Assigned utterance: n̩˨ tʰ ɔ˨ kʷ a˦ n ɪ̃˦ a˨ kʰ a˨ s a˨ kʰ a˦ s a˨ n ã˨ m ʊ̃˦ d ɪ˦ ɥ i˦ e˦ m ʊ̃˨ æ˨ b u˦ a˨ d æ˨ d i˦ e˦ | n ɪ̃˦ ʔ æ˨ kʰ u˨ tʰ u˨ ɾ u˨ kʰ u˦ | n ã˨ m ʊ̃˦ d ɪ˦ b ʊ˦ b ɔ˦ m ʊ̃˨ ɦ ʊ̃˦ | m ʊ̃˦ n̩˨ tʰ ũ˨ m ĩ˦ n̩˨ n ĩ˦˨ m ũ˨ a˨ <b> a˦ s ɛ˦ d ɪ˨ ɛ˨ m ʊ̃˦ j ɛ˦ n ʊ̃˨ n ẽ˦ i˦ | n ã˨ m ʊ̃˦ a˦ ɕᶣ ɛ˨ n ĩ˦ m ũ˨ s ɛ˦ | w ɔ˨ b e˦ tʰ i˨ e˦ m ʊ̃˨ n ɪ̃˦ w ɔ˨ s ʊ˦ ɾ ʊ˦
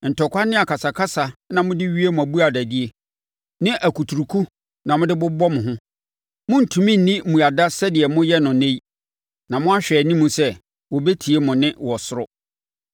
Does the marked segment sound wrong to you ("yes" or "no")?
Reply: yes